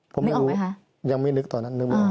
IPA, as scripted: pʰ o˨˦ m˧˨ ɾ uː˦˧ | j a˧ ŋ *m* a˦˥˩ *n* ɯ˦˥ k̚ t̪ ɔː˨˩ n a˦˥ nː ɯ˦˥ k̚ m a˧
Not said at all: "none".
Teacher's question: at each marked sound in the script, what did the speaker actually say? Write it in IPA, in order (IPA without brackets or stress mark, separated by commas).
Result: m, n